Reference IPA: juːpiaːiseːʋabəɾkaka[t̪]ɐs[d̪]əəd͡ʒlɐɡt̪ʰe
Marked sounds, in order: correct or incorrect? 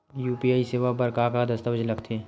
incorrect, incorrect

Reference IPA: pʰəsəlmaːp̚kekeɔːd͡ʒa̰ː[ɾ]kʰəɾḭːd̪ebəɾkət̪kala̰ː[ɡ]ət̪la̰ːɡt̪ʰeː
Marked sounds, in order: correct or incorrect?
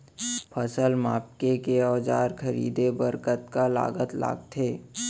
correct, correct

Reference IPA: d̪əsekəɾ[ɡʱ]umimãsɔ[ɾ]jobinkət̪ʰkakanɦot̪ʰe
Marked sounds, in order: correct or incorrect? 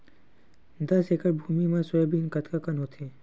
incorrect, incorrect

